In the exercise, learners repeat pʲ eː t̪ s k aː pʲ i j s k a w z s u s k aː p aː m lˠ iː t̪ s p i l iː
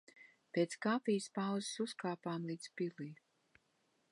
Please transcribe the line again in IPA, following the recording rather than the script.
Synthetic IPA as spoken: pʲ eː t̪ s k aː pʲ i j s p a w z s u s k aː p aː m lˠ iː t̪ s p i l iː